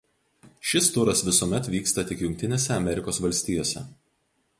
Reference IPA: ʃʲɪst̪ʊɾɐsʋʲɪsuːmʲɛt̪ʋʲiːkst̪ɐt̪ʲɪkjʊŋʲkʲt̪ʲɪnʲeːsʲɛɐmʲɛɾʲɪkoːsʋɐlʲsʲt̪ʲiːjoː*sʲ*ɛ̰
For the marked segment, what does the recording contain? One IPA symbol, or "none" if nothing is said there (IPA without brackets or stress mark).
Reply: sʲ